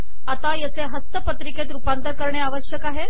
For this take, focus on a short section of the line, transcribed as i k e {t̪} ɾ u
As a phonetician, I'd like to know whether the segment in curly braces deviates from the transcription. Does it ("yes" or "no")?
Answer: no